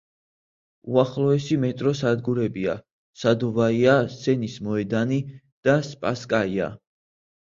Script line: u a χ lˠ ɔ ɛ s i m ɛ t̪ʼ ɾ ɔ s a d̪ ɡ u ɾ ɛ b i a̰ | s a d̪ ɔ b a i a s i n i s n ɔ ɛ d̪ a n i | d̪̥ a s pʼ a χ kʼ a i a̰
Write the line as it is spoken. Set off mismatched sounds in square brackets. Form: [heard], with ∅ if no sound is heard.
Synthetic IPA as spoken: u a χ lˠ ɔ ɛ s i m ɛ t̪ʼ ɾ ɔ s a d̪ ɡ u ɾ ɛ b i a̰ | s a d̪ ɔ [v] a i a s [ɛ] n i s [m] ɔ ɛ d̪ a n i | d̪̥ a s pʼ a [s] kʼ a i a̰